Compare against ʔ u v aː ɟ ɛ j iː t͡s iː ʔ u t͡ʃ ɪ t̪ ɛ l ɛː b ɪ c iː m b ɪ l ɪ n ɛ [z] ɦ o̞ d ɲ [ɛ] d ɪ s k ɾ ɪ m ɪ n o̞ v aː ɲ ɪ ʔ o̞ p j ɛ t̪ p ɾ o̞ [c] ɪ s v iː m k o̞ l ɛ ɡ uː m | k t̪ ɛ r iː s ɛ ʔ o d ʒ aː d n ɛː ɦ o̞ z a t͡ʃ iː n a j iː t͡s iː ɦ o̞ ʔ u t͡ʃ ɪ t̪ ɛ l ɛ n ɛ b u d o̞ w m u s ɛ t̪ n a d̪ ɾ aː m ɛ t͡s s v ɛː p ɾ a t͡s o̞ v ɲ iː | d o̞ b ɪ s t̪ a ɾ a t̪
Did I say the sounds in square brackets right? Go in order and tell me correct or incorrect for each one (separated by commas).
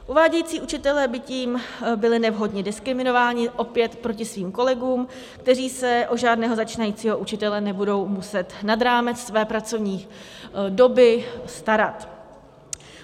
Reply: incorrect, correct, correct